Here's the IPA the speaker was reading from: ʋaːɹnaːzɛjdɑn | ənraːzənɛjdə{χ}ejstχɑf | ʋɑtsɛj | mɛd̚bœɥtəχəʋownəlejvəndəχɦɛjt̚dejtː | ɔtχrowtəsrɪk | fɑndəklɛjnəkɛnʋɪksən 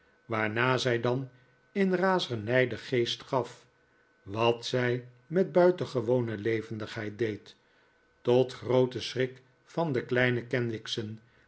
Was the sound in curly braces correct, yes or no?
yes